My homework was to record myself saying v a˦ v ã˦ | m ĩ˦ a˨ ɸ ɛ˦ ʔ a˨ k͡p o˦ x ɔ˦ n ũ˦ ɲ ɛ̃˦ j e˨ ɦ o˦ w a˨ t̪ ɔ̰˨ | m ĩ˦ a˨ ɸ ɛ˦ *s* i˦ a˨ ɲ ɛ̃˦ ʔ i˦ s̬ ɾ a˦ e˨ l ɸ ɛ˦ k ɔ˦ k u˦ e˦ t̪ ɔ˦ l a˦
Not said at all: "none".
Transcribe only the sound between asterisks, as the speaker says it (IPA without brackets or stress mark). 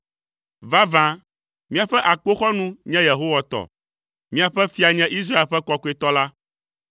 f